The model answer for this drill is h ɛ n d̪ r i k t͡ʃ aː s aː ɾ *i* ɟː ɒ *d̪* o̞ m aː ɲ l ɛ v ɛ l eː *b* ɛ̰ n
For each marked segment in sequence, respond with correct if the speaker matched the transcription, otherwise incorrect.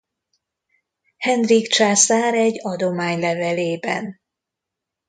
incorrect, correct, correct

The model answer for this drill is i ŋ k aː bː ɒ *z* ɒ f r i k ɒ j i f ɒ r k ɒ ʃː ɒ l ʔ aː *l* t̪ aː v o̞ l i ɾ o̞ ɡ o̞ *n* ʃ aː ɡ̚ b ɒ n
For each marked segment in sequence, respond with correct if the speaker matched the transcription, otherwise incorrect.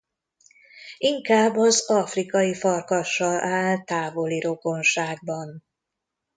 correct, correct, correct

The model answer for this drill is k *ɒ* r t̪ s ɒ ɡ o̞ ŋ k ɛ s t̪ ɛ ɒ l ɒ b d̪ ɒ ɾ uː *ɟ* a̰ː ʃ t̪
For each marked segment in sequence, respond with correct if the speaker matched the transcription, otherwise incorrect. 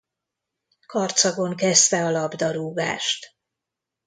correct, incorrect

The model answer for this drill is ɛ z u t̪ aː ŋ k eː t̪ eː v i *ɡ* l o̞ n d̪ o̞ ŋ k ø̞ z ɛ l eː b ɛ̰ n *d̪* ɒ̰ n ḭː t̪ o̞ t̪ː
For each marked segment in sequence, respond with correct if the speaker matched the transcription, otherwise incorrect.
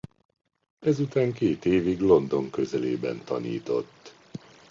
correct, incorrect

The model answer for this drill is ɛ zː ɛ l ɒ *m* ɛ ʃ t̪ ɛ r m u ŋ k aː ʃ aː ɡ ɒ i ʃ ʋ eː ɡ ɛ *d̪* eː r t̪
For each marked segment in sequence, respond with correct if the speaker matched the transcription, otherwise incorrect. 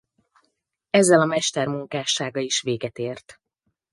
correct, incorrect

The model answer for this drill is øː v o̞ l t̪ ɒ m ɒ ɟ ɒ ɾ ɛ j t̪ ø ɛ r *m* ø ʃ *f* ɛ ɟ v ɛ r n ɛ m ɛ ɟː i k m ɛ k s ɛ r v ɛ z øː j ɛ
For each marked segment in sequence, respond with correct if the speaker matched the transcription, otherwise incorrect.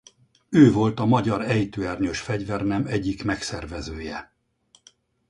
incorrect, correct

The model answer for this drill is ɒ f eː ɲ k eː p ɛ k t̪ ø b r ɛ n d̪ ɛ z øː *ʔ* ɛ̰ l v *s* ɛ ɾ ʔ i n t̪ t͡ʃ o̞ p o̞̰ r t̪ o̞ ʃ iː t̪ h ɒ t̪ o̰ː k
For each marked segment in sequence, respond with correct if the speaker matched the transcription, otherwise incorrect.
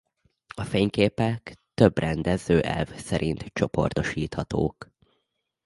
correct, correct

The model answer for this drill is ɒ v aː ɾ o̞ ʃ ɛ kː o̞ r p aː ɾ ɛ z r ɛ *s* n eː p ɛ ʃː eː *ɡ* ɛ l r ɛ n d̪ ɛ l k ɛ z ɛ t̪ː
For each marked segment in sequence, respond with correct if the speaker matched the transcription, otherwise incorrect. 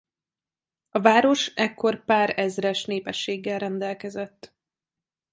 incorrect, incorrect

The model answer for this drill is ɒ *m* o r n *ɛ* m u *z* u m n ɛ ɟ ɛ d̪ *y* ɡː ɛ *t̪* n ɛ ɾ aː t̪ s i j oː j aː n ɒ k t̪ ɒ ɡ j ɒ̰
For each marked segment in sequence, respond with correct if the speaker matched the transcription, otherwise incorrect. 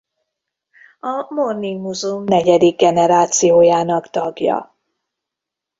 correct, incorrect, correct, incorrect, incorrect

